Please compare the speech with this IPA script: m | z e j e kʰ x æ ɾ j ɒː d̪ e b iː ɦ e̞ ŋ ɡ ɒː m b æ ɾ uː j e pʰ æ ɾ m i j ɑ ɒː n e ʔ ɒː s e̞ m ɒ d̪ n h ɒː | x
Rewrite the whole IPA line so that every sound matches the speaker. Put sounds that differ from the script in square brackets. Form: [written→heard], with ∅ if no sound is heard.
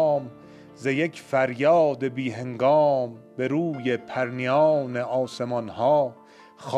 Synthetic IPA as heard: m | z e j e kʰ [x→f] æ ɾ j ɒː d̪ e b iː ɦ e̞ ŋ ɡ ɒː m b [æ→e] ɾ uː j e pʰ æ ɾ [m→n] i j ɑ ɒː n e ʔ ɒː s e̞ m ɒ [d̪→∅] n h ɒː | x